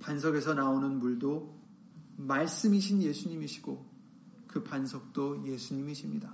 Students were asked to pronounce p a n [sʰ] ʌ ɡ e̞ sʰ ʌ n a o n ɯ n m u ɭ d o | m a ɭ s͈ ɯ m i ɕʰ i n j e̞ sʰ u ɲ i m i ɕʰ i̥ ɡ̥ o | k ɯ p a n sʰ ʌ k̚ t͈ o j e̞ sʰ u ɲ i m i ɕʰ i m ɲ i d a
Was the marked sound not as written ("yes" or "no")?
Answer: no